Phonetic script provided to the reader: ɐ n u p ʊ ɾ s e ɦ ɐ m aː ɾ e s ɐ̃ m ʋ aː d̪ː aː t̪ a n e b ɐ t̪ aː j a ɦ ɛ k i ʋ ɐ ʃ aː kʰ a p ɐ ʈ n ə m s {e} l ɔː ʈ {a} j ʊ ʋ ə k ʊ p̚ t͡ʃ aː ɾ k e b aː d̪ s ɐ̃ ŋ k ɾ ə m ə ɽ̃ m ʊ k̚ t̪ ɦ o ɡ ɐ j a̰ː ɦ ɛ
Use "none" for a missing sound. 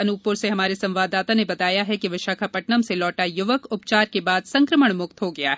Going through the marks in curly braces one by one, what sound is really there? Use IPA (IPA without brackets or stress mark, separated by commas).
e, a